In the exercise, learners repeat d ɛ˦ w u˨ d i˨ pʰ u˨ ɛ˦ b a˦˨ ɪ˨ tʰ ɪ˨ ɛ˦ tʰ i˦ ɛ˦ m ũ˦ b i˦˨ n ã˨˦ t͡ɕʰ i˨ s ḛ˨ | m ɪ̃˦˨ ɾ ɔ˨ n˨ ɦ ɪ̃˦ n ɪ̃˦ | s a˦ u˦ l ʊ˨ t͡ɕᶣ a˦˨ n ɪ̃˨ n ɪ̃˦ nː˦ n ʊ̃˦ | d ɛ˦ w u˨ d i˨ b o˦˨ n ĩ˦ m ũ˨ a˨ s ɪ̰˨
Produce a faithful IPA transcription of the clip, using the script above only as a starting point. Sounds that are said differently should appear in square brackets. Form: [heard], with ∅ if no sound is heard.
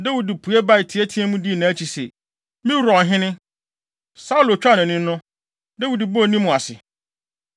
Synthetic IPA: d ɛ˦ w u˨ d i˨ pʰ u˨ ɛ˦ b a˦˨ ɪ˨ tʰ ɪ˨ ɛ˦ tʰ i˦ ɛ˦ m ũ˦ [d] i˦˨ n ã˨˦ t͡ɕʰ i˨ s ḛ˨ | m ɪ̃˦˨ ɾ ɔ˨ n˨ ɦ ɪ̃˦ n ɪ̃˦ | s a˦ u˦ l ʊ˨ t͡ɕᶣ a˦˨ n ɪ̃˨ n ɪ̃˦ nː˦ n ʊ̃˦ | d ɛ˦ w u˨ d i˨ b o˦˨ n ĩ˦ m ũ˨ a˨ s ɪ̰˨